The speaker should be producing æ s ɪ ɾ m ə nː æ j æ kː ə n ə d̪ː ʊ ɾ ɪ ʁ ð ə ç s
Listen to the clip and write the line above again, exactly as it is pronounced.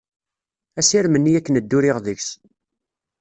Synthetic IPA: æ s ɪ ɾ m ə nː i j æ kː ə n ə d̪ː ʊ ɾ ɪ ʁ ð ə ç s